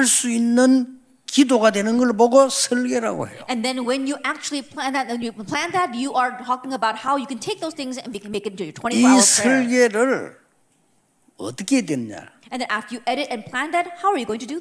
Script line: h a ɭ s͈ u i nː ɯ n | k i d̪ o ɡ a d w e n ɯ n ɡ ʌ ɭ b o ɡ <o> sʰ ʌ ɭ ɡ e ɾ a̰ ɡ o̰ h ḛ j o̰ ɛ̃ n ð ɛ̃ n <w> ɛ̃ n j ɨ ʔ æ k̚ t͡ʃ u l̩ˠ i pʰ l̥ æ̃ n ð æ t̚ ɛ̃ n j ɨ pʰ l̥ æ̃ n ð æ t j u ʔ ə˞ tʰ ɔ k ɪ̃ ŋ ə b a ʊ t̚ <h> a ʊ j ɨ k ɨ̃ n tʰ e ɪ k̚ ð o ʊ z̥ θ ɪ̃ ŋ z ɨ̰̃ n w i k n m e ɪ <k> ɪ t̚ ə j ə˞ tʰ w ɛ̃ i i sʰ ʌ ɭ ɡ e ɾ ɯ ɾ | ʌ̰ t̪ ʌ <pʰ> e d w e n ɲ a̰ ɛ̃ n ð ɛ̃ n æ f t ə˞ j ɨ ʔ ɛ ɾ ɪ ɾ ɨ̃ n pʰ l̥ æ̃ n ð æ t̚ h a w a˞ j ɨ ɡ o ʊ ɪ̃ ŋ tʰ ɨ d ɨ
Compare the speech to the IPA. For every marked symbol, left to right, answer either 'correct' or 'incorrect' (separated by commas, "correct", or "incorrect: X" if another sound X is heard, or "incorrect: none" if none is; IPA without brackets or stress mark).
correct, correct, correct, correct, incorrect: kʰ